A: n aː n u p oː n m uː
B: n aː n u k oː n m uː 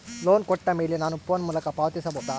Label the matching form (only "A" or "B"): A